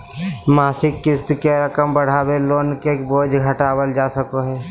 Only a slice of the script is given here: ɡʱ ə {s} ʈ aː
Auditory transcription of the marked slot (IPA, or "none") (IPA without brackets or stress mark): none